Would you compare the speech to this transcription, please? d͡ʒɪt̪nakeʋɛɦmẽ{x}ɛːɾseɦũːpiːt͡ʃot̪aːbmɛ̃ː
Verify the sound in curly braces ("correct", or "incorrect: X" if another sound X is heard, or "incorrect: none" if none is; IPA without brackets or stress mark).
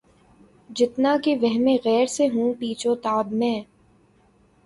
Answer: incorrect: ɣ